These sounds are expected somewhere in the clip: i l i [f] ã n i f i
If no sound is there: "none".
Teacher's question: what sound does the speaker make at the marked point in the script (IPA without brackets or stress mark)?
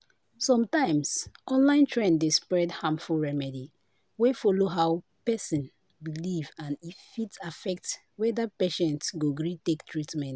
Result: v